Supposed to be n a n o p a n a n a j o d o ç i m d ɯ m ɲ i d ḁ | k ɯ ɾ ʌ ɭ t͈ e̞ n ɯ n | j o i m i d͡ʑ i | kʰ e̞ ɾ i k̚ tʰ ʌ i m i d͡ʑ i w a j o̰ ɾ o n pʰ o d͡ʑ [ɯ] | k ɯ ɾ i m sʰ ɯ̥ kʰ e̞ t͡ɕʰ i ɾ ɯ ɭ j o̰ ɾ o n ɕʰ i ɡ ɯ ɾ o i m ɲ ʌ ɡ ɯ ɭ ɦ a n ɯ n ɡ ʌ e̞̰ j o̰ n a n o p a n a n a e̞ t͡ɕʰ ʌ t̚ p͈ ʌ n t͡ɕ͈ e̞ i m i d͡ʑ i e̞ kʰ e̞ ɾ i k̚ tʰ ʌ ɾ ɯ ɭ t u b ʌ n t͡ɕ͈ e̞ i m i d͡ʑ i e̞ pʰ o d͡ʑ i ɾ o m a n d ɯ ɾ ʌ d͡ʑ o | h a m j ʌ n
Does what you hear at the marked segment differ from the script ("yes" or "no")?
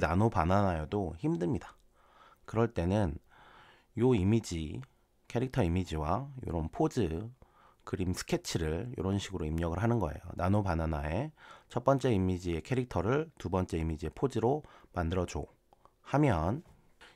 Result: no